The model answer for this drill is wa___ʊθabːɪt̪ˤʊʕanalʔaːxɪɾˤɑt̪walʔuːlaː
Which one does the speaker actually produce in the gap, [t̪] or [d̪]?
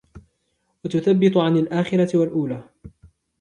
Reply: t̪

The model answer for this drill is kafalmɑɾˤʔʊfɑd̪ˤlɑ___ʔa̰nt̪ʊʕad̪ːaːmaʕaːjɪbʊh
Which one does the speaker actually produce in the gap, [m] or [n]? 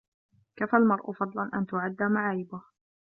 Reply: n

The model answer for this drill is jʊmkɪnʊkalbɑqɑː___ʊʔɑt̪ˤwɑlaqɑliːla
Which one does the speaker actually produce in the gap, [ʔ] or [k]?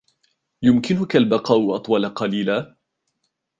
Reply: ʔ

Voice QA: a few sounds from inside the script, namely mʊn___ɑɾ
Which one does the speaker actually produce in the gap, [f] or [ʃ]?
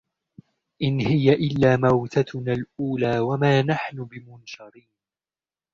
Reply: ʃ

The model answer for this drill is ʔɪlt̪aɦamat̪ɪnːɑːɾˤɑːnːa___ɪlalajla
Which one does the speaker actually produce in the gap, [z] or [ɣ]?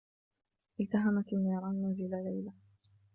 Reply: z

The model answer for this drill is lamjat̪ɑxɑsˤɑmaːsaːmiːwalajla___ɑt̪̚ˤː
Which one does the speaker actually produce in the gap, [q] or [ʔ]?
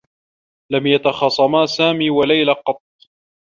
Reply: q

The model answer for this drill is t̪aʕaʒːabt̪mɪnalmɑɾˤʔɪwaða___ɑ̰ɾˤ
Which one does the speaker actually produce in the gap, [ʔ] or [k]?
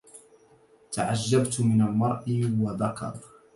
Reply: k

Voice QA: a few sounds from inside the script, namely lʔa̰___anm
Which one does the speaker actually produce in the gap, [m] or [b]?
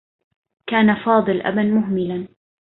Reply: b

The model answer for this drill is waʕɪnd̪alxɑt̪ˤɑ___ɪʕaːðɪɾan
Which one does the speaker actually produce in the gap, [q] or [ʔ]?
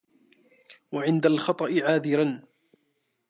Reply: ʔ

